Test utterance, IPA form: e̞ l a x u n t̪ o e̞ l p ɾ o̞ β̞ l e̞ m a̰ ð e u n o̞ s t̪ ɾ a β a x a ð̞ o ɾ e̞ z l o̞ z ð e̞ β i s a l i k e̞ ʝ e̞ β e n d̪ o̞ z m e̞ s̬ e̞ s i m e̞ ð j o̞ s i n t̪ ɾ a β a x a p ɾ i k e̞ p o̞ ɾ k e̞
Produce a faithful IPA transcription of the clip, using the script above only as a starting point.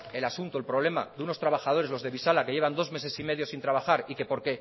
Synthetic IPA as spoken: e̞ l a s u n t̪ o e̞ l p ɾ o̞ β̞ l e̞ m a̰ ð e u n o̞ s t̪ ɾ a β a x a ð̞ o ɾ e̞ z l o̞ z ð e̞ β i s a l a k e̞ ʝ e̞ β a n d̪ o̞ z m e̞ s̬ e̞ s i m e̞ ð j o̞ s i n t̪ ɾ a β a x a ɾ i k e̞ p o̞ ɾ k e̞